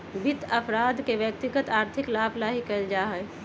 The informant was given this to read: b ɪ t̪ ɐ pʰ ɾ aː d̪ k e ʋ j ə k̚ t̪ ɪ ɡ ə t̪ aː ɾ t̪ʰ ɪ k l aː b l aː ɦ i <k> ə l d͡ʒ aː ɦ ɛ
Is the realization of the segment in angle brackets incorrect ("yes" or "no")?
no